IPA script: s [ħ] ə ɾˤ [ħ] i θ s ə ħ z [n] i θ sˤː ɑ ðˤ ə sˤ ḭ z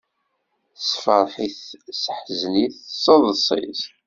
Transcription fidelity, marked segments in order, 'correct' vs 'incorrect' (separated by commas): incorrect, correct, correct